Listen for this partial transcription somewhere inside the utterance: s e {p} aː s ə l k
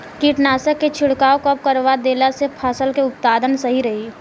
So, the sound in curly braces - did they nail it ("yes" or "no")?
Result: no